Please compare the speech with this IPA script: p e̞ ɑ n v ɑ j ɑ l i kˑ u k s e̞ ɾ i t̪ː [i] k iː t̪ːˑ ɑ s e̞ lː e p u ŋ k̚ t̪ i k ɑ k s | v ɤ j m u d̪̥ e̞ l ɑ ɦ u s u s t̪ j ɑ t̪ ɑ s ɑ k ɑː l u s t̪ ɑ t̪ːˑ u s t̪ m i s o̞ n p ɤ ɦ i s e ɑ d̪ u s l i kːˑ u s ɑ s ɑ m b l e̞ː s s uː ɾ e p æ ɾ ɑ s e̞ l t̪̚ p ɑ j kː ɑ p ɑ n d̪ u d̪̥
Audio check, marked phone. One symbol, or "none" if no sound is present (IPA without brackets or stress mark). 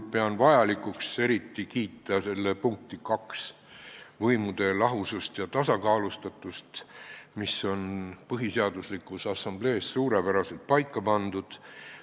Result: i